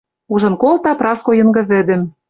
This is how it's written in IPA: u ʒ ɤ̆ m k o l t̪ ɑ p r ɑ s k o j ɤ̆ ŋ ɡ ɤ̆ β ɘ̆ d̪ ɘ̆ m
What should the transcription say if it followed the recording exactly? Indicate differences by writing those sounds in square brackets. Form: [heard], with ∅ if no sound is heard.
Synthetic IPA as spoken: u ʒ ɤ̆ [n] k o l t̪ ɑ p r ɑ s k o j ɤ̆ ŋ ɡ ɤ̆ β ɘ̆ d̪ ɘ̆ m

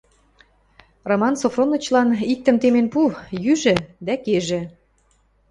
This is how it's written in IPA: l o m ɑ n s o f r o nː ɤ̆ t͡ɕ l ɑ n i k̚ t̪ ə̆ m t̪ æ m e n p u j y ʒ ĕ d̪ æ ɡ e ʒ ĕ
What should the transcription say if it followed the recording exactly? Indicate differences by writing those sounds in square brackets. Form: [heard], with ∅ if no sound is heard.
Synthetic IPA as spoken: [r] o m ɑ n s o f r o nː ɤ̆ t͡ɕ l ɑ n i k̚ t̪ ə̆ m t̪ [e] m e n p u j y ʒ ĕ d̪ æ [k] e ʒ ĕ

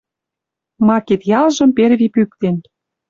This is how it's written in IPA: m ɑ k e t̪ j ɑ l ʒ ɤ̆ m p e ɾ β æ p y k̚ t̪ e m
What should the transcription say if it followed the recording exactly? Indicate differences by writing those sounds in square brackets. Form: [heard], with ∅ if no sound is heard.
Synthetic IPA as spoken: m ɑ k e t̪ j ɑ l ʒ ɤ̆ m p e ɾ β [i] p y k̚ t̪ e [n]

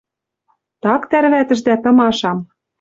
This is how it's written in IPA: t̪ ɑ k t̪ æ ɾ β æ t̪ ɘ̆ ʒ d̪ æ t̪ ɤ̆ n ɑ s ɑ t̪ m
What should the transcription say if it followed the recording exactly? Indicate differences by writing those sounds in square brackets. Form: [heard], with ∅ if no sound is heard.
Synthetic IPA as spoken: t̪ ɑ k t̪ æ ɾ β æ t̪ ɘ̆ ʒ d̪ æ t̪ ɤ̆ [m] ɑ [ʃ] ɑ [∅] m

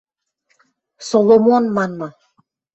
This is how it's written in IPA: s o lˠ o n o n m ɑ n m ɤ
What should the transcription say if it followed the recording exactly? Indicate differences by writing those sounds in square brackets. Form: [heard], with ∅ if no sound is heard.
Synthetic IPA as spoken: s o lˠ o [m] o n m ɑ n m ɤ

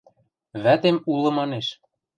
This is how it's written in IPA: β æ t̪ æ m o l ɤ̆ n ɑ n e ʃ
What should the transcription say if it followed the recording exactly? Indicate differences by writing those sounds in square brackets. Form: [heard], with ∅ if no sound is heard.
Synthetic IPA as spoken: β æ t̪ [e] m [u] l ɤ̆ [m] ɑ n e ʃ

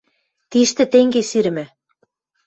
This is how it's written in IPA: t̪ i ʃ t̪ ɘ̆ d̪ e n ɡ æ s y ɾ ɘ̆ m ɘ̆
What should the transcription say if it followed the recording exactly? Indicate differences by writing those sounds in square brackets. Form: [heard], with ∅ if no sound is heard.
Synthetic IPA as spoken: t̪ i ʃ t̪ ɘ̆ [t̪] e [ŋ] ɡ [e] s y ɾ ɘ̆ m ɘ̆

